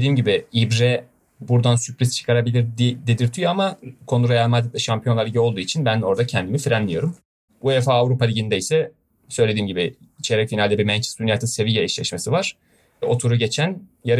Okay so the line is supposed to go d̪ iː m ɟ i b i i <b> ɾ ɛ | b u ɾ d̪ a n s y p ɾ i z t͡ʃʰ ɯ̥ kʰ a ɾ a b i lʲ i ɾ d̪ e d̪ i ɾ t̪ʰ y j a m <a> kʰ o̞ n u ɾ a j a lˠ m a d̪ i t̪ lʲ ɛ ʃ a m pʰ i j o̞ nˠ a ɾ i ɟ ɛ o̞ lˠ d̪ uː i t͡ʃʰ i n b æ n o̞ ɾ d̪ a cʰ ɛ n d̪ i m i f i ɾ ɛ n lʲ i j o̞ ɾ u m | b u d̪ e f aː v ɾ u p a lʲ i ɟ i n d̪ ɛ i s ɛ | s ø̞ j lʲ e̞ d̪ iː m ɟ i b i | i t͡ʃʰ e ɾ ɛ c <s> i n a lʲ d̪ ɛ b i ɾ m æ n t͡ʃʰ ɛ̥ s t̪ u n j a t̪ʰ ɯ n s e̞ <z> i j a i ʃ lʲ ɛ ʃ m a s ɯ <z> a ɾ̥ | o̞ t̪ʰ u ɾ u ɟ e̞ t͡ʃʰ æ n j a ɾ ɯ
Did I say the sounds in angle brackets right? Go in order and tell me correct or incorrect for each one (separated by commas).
correct, correct, incorrect, incorrect, incorrect